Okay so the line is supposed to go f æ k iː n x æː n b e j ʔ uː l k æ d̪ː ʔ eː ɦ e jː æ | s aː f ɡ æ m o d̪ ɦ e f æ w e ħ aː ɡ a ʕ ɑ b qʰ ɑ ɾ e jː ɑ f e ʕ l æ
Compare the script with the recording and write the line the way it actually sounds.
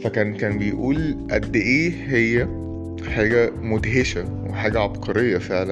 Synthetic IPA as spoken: f æ k æː n k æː n b e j ʔ uː l ʔ æ d̪ː ʔ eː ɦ e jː æ | ħ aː ɡ æ m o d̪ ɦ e ʃ æ w e ħ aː ɡ æ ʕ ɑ b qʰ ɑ ɾ e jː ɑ f e ʕ l æ